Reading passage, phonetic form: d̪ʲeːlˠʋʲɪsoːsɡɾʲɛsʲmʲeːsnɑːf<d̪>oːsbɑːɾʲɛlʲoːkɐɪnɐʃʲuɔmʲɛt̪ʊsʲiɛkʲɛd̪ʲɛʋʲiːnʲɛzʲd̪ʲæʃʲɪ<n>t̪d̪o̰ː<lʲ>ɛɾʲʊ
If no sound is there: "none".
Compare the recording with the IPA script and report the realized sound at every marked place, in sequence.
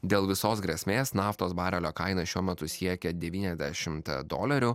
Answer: t̪, m, lʲ

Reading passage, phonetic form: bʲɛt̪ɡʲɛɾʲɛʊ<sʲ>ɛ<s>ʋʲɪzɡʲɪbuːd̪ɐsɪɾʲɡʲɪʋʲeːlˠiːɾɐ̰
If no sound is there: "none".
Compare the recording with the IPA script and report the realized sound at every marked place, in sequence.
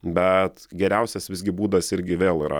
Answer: sʲ, s

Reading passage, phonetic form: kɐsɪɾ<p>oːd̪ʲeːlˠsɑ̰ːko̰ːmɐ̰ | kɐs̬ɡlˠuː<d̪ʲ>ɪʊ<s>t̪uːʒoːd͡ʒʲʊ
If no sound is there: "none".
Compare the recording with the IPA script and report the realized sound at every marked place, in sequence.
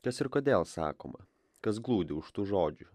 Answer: k, d̪ʲ, ʃ

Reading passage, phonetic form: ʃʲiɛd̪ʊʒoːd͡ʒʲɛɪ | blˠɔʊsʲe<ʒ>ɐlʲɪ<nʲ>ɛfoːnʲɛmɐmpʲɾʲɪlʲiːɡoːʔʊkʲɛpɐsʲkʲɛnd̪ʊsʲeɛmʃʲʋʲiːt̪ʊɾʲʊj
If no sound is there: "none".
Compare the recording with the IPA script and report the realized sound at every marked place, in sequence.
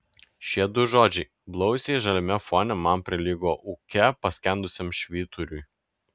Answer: ʒ, mʲ

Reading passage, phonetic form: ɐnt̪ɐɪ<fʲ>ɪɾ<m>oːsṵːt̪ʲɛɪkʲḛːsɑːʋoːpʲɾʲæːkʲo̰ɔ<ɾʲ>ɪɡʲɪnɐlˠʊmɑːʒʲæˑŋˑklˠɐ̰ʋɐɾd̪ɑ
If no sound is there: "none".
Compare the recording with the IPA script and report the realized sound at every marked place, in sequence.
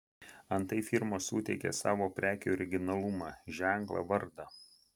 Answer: fʲ, m, ɾʲ

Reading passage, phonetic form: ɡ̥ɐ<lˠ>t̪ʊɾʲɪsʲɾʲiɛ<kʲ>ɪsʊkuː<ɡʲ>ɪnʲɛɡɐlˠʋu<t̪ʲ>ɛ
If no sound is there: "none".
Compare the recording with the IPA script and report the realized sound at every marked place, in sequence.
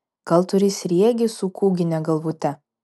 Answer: lˠ, ɡʲ, ɡʲ, t̪ʲ

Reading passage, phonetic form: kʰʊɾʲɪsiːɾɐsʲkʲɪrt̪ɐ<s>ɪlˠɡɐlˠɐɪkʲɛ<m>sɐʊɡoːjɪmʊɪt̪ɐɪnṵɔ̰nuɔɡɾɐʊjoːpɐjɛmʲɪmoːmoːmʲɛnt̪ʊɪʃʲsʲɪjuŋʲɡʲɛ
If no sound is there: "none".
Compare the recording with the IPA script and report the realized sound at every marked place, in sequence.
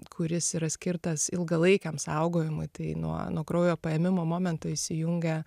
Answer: s, m

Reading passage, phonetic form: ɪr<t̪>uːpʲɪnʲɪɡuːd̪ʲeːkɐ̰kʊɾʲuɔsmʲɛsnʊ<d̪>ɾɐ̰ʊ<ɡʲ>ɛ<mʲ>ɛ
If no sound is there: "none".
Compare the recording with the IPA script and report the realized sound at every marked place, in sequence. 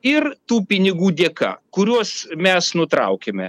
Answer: t̪, t̪, kʲ, mʲ

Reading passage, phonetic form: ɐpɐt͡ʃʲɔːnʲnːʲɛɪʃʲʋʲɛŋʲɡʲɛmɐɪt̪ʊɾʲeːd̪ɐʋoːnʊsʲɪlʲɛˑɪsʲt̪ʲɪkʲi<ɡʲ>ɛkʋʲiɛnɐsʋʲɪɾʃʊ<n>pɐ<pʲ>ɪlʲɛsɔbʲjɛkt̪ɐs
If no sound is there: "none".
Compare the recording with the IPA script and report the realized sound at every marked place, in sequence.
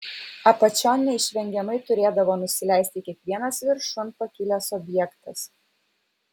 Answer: none, n, kʲ

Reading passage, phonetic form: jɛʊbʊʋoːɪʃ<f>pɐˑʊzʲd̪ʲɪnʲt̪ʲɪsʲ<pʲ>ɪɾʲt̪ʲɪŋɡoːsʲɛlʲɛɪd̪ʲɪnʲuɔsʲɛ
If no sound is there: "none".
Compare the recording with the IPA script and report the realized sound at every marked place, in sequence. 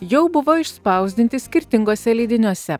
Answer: s, kʲ

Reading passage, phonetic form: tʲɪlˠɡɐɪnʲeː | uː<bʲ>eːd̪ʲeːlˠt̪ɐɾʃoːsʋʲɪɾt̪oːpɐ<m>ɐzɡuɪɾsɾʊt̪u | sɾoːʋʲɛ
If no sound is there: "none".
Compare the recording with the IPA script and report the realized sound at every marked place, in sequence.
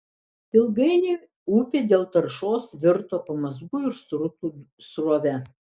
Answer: pʲ, m

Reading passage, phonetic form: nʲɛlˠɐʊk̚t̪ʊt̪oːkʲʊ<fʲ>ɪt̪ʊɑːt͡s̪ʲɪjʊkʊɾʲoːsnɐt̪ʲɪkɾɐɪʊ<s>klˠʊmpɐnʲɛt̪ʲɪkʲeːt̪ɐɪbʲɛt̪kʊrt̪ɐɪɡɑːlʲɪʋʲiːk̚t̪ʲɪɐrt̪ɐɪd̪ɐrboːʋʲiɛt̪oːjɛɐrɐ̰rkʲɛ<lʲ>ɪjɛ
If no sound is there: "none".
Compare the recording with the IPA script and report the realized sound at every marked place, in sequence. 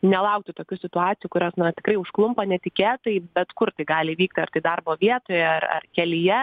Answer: sʲ, ʃ, lʲ

